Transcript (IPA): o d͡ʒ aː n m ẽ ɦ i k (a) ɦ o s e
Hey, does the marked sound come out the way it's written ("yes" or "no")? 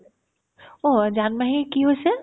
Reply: no